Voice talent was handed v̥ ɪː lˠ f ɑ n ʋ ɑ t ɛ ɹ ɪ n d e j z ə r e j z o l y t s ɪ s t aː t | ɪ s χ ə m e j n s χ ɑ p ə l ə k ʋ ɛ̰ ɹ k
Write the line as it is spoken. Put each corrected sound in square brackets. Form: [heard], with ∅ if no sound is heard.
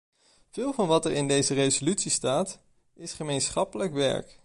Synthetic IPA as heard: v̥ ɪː lˠ [v] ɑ n ʋ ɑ t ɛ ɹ ɪ n d e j z ə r e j z o l y t s [i] s t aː t | ɪ s χ ə m e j n s χ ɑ p ə l ə k ʋ ɛ̰ ɹ k